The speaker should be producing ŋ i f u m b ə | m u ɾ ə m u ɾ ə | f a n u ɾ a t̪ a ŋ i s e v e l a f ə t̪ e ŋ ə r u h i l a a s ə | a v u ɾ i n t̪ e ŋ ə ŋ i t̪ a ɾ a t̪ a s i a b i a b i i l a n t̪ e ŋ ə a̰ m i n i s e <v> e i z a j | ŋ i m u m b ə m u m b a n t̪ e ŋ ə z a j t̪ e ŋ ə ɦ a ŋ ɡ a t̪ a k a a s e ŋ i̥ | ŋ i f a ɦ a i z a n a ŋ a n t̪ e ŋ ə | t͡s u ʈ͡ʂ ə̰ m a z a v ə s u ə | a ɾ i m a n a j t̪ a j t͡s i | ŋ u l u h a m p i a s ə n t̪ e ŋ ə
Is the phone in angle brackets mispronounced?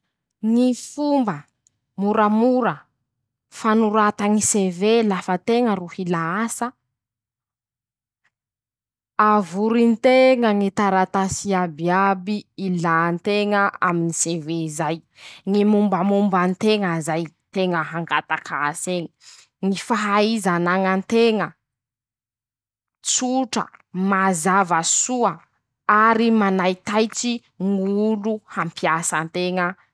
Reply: no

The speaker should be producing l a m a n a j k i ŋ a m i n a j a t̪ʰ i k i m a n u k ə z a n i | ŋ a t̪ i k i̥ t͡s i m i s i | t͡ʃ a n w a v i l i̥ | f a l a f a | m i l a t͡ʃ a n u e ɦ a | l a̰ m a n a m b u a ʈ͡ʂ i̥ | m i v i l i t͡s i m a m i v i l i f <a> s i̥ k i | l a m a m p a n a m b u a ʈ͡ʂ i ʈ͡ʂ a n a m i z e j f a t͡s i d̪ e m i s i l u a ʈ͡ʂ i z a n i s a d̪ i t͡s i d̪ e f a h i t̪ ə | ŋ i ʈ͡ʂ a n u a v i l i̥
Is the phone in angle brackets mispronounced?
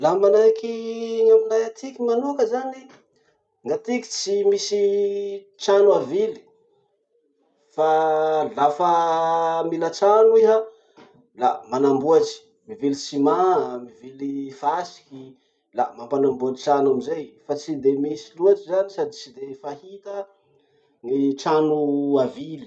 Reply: no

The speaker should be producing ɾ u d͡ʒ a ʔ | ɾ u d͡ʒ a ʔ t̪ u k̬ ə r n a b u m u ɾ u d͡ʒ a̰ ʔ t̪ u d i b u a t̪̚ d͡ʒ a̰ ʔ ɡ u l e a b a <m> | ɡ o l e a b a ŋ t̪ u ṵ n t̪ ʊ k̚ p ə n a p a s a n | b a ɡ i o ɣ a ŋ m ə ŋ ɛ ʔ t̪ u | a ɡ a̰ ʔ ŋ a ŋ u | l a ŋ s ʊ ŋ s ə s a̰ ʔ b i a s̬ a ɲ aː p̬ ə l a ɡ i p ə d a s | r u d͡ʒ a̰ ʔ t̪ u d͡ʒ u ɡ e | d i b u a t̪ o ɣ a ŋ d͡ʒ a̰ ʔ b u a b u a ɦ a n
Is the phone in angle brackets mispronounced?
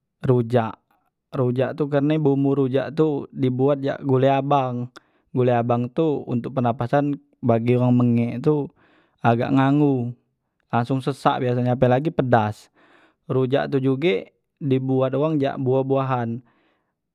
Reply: yes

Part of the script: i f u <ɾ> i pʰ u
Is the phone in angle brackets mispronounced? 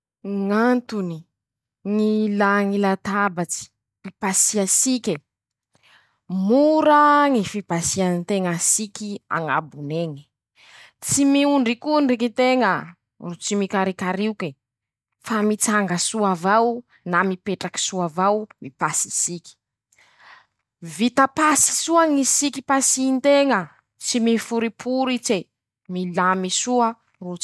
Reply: no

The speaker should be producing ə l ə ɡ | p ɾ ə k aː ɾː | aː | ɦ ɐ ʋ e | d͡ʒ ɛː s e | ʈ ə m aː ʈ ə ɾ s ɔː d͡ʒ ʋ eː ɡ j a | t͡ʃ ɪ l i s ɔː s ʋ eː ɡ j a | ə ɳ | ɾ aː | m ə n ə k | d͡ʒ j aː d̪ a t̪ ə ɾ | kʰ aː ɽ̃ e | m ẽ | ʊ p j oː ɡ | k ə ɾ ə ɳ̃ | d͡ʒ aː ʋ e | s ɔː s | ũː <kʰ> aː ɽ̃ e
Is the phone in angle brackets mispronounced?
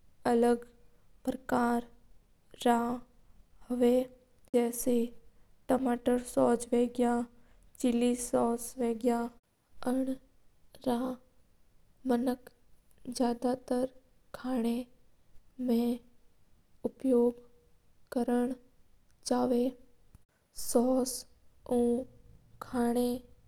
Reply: no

